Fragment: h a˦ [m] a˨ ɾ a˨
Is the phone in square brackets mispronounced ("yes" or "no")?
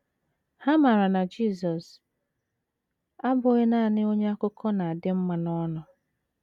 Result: no